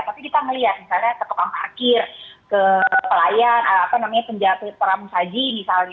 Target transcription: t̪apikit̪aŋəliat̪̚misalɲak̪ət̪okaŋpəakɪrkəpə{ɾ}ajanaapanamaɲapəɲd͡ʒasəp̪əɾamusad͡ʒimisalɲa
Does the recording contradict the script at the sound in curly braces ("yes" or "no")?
yes